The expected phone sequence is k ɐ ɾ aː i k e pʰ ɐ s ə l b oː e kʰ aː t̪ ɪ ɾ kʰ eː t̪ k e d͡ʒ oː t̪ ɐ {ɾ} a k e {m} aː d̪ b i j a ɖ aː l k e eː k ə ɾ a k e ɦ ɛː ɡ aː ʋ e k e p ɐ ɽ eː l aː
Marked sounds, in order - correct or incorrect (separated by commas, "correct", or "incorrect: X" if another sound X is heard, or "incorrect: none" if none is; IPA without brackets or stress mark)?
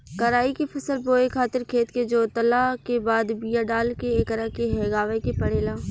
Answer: incorrect: l, incorrect: b